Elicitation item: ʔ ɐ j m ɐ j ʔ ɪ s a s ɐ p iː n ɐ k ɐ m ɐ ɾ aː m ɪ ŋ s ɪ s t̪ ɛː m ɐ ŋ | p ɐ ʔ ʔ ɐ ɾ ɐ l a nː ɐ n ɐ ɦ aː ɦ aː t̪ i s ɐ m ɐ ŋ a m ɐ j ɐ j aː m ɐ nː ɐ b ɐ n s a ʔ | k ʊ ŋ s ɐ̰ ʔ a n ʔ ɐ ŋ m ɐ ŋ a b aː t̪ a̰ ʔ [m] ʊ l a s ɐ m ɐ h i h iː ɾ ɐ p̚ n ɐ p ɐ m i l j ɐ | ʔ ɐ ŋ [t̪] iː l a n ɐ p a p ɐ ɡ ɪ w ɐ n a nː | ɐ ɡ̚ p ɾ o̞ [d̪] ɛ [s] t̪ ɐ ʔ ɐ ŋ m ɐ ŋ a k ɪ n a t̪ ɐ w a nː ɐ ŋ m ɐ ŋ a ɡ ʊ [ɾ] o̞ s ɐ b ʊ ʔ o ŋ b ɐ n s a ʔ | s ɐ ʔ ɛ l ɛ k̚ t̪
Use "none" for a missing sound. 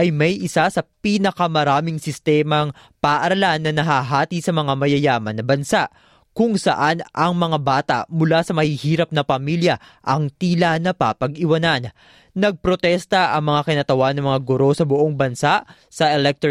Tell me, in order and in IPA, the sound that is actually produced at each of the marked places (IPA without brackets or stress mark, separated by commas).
m, t̪, t̪, s, ɾ